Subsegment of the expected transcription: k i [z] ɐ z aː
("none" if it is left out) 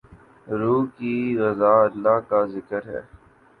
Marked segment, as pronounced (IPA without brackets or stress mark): ɣ